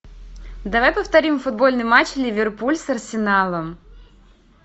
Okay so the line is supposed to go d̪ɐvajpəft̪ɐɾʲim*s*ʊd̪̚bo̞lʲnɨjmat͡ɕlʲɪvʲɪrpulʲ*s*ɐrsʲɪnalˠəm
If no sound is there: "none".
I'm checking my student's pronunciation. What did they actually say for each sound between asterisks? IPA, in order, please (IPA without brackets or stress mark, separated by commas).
f, s